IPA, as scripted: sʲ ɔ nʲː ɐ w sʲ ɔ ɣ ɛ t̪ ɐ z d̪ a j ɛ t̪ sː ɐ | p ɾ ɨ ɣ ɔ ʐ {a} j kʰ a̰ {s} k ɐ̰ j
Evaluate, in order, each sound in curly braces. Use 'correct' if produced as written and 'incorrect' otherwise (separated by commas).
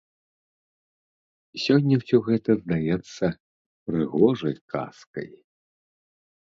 incorrect, correct